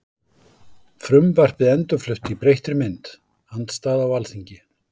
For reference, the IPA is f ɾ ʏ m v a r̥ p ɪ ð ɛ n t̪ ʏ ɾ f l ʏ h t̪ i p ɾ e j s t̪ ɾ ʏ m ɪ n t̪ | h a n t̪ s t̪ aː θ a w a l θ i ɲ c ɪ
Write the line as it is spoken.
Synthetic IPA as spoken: f ɾ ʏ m v a r̥ p ɪ ð ɛ n t̪ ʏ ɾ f l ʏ h t̪ i p ɾ e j h t̪ ɾ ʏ m ɪ n t̪ | h a n t̪ s t̪ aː ð a w a l θ i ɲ c ɪ